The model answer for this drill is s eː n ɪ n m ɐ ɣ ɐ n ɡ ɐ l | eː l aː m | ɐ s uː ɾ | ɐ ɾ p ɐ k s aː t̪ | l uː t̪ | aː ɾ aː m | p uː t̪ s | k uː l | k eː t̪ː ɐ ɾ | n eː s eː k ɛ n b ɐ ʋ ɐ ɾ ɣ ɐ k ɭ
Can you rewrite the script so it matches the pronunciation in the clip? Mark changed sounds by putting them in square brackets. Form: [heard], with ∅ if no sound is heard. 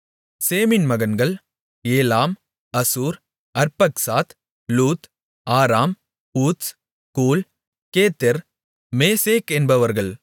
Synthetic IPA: s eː [m] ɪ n m ɐ ɣ ɐ n ɡ ɐ [ɭ] | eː l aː m | ɐ s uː ɾ | ɐ ɾ p ɐ k s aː t̪ | l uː t̪ | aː ɾ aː m | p uː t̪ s | k uː l | k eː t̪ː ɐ ɾ | [m] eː s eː k ɛ n b ɐ ʋ ɐ ɾ ɣ ɐ [∅] ɭ